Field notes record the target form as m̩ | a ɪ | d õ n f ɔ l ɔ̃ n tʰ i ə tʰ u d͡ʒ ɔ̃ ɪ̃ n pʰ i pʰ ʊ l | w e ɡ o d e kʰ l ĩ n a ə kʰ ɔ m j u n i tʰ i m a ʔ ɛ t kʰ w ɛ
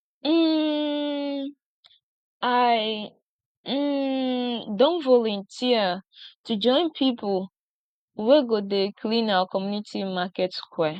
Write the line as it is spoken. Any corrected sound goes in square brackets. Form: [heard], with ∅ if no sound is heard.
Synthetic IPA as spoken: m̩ | a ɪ | d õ n [v] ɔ l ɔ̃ n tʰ i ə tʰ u d͡ʒ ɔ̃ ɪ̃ n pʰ i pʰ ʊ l | w e ɡ o d e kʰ l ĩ n a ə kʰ ɔ m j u n i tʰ i m a [k] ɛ t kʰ w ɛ